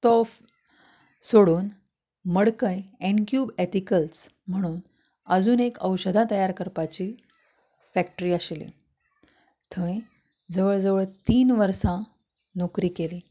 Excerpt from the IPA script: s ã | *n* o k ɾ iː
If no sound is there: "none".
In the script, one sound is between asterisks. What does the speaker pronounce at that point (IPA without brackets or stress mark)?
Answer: n